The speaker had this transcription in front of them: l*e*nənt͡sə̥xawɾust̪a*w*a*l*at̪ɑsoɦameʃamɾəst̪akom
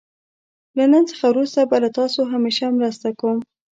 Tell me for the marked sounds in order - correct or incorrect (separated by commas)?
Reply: incorrect, incorrect, correct